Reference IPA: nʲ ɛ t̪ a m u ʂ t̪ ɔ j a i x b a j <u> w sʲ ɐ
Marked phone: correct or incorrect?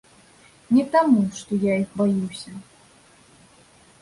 correct